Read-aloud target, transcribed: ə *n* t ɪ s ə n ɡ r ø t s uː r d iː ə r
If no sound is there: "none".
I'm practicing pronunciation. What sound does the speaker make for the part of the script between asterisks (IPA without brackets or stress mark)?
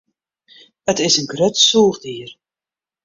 none